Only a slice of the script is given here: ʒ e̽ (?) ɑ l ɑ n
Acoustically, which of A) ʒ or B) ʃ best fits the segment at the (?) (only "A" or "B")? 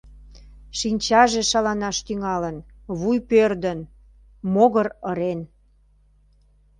B